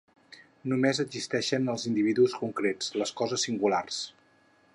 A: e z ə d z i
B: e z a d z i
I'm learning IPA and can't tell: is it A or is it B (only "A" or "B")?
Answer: A